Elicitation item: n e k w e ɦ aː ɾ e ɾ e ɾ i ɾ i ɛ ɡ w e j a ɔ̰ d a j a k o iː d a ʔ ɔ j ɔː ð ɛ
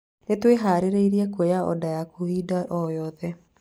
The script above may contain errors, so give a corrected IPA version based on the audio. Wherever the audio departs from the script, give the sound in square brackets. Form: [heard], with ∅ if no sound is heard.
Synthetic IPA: n e [t] w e ɦ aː ɾ e ɾ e [∅] i ɾ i ɛ [k] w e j a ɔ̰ d a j a k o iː d a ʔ ɔ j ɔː ð ɛ